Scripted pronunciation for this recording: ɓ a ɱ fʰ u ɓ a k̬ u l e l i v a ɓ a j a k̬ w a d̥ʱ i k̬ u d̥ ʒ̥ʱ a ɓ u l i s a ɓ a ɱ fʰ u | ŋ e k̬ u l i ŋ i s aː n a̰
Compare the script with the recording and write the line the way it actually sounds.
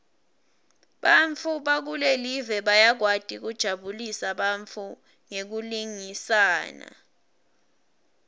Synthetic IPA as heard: ɓ a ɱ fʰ u ɓ a k̬ u l e l i v ɛ ɓ a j a k̬ w a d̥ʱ i k̬ u d̥ ʒ̥ʱ a ɓ u l i s a ɓ a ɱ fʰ u | ŋ e k̬ u l i ŋ i s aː n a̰